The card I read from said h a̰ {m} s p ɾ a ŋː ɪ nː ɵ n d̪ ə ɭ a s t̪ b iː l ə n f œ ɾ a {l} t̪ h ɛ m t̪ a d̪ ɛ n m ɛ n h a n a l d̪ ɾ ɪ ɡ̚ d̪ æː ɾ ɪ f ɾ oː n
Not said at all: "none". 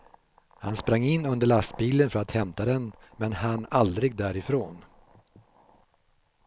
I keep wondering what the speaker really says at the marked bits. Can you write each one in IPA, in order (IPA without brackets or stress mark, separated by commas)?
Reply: n, none